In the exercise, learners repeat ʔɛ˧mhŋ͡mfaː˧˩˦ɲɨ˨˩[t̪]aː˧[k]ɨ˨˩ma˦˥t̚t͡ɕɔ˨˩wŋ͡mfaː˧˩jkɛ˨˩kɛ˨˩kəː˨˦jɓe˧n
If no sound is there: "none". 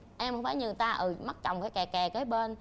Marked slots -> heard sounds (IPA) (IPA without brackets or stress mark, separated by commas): t̪, ʔ